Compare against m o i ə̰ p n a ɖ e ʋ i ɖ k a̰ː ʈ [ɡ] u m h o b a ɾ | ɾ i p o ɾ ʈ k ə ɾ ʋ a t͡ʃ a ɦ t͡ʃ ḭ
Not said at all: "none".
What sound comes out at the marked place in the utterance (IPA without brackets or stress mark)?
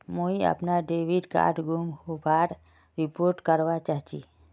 ɡ